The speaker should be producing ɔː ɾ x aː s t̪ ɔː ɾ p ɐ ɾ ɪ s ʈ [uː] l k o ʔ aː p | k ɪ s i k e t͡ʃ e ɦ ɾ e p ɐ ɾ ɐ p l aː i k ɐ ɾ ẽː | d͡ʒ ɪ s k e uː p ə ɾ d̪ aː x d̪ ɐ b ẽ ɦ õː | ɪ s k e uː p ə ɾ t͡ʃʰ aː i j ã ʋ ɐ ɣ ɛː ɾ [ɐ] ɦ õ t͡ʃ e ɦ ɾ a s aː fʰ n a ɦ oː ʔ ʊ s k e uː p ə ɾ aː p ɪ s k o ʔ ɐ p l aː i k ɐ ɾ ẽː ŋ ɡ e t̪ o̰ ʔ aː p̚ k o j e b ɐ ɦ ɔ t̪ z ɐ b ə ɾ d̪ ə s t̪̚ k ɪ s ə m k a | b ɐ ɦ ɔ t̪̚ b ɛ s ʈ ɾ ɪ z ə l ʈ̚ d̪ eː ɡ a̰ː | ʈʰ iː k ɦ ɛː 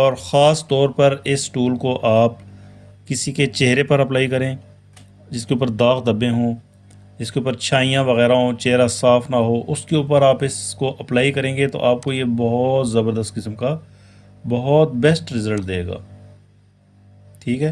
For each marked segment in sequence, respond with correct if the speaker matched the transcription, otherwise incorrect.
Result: correct, incorrect: a

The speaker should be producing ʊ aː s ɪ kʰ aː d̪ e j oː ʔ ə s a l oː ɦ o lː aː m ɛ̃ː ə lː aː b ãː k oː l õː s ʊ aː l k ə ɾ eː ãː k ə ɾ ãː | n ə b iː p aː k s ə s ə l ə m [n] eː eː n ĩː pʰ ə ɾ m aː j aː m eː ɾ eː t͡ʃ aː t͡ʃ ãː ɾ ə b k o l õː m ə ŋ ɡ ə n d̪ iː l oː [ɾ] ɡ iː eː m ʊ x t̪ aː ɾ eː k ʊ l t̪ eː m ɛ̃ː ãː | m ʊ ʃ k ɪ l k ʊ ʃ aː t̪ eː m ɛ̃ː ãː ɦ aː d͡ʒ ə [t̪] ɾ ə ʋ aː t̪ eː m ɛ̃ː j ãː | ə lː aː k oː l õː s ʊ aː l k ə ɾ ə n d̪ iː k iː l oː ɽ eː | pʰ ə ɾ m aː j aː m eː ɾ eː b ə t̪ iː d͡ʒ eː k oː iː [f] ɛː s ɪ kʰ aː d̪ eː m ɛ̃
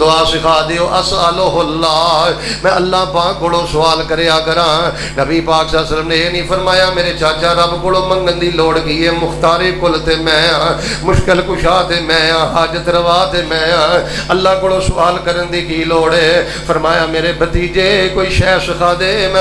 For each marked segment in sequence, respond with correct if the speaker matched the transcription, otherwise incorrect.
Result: correct, incorrect: ɽ, correct, incorrect: ʃ

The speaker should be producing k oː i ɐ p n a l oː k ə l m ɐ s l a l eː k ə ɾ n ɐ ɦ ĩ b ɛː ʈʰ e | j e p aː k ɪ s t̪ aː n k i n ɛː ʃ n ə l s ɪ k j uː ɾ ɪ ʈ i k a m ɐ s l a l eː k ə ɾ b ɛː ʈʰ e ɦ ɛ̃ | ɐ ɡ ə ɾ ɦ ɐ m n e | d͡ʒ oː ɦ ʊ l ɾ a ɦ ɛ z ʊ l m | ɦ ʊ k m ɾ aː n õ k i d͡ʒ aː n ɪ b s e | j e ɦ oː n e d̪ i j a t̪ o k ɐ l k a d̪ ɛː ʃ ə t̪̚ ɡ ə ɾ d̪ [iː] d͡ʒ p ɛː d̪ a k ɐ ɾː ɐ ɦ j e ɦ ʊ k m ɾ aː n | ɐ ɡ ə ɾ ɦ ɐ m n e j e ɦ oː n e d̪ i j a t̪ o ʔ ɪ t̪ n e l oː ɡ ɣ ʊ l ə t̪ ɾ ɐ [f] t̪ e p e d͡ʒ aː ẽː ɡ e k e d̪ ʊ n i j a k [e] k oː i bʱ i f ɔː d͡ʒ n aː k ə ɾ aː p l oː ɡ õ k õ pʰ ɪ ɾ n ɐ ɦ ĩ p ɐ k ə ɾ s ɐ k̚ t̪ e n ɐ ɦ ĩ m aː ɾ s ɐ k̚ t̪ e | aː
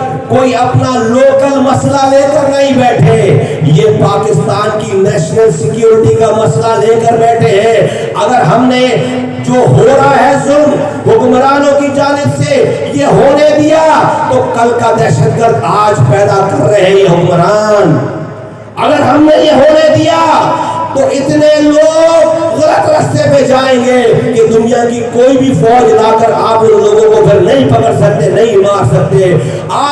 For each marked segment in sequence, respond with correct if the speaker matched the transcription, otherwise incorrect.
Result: incorrect: aː, incorrect: s, incorrect: i

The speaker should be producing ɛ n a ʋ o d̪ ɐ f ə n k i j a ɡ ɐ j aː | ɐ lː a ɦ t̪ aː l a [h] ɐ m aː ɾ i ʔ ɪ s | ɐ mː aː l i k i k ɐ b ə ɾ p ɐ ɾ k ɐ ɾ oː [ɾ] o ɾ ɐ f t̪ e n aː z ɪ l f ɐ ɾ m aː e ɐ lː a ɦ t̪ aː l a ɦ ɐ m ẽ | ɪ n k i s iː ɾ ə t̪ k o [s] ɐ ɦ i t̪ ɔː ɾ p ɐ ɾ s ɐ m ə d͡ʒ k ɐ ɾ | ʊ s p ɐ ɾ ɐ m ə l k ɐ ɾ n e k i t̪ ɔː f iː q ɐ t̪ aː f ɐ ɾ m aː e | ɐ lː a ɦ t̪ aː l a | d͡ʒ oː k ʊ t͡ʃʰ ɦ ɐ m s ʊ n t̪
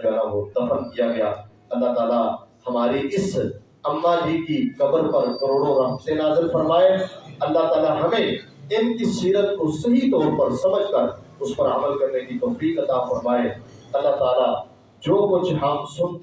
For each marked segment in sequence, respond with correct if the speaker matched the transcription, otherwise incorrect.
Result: correct, incorrect: ɽ, correct

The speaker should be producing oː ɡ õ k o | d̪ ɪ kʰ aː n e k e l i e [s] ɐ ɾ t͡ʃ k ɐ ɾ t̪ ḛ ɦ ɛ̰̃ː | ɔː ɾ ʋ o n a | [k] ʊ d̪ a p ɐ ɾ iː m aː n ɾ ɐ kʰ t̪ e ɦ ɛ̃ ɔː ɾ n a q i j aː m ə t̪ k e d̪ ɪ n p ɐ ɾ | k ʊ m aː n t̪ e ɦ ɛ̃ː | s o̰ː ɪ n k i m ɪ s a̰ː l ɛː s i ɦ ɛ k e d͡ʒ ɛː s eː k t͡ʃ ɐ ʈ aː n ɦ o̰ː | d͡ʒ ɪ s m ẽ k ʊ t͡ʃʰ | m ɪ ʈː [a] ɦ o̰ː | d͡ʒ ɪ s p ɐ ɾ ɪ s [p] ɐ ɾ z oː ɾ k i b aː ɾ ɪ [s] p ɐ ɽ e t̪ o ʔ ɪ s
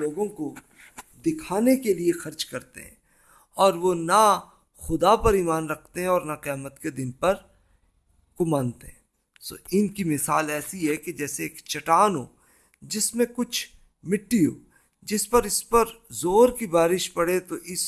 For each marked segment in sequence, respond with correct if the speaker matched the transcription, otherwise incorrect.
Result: incorrect: x, incorrect: x, incorrect: i, correct, incorrect: ʃ

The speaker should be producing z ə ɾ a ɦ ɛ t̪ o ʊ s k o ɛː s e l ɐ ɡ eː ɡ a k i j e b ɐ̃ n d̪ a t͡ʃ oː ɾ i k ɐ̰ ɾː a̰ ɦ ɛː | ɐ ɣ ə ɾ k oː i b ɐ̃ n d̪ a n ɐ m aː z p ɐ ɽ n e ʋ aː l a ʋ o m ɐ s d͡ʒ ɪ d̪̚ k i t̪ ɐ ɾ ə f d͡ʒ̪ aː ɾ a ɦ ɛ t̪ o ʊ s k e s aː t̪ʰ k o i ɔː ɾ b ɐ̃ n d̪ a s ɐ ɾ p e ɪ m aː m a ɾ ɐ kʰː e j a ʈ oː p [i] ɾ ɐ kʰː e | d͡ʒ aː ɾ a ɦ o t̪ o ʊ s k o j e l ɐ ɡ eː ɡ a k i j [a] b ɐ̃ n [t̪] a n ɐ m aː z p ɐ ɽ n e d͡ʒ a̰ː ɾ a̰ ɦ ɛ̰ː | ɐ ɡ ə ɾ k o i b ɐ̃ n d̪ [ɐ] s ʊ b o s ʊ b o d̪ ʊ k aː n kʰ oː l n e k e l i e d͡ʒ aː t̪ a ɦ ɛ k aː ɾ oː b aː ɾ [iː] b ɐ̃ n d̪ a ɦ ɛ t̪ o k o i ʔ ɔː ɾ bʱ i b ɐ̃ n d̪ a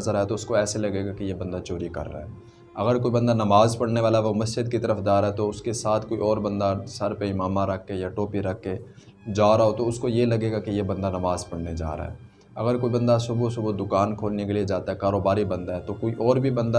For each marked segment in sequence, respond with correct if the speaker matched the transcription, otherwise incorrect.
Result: correct, incorrect: e, incorrect: d̪, incorrect: a, incorrect: i

